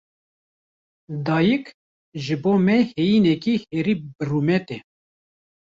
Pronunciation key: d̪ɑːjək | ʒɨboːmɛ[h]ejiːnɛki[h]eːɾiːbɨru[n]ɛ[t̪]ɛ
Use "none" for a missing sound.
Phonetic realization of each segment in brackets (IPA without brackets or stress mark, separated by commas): h, h, m, t̪